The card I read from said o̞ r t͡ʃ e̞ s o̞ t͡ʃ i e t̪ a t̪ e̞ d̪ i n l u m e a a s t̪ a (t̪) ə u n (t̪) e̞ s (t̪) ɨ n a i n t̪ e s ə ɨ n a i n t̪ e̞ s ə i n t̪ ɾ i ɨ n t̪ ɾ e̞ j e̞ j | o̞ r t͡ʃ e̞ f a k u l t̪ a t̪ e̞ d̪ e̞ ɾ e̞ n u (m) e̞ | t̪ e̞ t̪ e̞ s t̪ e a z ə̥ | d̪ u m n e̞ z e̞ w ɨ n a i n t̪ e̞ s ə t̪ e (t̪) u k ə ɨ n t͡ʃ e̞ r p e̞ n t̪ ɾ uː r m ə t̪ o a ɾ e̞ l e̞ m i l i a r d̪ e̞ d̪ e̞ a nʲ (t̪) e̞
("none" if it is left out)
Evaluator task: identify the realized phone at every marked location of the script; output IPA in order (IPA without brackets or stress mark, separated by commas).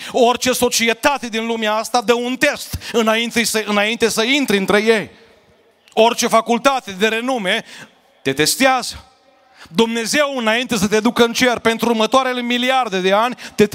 d̪, t̪, t̪, m, d̪, t̪